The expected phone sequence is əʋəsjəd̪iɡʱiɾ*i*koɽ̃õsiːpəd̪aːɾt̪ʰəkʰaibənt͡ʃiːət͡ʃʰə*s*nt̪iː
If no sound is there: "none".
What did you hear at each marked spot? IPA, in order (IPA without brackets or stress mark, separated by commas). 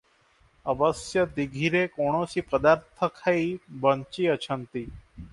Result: e, none